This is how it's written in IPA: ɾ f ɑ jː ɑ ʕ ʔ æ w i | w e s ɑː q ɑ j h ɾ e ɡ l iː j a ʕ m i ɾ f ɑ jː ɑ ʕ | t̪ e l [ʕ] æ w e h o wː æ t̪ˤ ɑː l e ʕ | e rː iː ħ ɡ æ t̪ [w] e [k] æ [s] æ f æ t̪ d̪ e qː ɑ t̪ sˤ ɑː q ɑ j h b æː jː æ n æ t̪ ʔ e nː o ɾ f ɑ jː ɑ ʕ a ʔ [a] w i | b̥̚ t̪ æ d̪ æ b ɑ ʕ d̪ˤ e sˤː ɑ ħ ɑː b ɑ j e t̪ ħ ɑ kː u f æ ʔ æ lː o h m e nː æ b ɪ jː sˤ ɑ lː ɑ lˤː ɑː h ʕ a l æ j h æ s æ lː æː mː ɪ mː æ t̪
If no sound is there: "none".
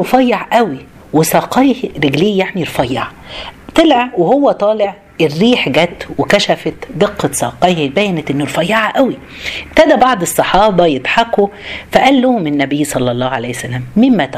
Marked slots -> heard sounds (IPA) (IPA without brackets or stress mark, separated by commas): ʕ, w, k, ʃ, æ